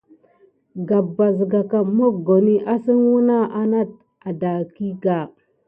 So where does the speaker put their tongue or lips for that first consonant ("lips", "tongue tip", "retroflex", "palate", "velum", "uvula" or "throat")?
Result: velum